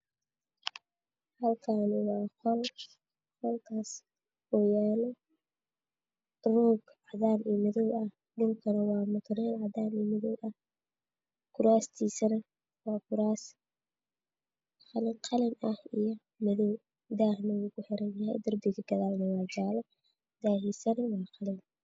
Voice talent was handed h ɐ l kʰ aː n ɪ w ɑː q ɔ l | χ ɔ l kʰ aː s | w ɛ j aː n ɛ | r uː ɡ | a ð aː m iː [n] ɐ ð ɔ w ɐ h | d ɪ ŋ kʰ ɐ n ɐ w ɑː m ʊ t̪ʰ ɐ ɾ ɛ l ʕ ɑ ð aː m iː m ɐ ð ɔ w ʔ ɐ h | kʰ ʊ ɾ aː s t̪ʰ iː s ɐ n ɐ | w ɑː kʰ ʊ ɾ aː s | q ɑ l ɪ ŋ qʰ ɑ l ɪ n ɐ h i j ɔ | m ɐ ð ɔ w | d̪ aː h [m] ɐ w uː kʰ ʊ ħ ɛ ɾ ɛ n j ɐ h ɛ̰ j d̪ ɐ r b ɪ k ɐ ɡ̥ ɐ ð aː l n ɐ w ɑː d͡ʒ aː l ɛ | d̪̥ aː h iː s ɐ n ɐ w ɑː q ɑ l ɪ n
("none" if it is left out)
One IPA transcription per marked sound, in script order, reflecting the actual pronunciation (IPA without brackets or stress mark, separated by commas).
m, n